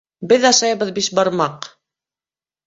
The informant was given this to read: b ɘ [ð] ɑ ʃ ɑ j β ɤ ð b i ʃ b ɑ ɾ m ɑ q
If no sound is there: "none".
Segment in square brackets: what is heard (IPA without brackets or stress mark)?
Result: ð